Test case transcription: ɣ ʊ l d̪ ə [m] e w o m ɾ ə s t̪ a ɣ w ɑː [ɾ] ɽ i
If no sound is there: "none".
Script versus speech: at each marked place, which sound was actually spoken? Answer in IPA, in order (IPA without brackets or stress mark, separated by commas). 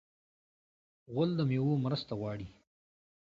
m, none